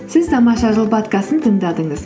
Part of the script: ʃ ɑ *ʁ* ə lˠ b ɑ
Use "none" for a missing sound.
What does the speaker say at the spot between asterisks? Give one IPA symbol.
ʒ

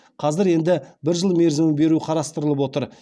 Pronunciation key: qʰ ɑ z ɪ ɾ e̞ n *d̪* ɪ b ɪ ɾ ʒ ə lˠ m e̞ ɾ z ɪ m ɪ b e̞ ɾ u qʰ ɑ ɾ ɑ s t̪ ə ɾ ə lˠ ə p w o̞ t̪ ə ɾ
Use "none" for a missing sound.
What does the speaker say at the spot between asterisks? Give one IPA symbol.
d̪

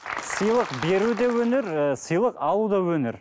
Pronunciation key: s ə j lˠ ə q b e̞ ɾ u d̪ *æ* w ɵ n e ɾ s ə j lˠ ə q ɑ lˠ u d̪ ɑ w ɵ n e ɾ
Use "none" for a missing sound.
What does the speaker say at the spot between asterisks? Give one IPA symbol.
e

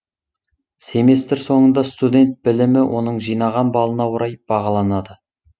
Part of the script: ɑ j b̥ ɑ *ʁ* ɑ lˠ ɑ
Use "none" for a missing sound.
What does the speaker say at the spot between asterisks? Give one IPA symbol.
ʁ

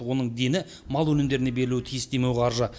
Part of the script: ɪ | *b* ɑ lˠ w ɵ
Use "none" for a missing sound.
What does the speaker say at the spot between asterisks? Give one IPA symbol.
m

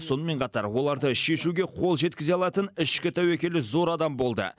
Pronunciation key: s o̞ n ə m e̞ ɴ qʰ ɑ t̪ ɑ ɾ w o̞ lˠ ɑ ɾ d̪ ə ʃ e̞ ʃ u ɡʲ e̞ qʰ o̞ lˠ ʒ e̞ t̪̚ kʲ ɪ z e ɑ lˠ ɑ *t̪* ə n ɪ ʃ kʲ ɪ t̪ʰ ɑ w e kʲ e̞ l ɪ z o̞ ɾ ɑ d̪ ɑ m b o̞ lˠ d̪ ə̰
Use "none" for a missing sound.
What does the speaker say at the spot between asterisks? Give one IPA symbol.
t̪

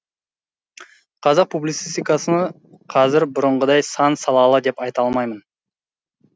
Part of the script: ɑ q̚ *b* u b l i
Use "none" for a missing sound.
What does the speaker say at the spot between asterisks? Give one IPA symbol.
p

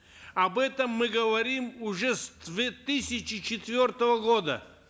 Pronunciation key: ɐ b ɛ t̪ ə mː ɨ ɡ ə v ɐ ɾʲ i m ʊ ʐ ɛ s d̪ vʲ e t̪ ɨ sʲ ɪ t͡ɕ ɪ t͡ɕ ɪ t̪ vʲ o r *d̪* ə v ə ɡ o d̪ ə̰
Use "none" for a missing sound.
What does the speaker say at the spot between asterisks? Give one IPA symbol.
t̪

